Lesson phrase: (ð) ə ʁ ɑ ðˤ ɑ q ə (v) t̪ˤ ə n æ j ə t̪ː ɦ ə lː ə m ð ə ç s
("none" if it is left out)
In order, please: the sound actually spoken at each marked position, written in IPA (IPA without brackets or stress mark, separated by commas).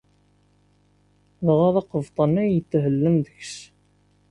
ð, v